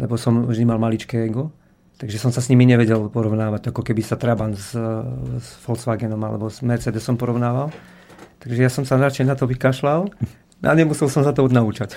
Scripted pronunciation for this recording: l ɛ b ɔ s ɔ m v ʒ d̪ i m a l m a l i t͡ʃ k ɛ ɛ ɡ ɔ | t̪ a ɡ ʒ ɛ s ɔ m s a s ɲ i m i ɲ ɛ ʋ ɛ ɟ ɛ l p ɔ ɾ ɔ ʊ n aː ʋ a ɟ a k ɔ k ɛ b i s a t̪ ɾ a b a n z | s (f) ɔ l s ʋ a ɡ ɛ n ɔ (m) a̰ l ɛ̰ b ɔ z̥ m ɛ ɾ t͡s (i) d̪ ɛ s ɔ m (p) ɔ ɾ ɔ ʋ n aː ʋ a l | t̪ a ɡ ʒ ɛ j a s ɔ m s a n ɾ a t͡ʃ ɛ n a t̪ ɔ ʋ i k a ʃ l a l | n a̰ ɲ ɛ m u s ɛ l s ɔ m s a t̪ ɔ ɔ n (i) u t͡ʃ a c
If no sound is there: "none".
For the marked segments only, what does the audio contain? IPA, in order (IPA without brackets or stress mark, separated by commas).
f, m, ɛ, p, a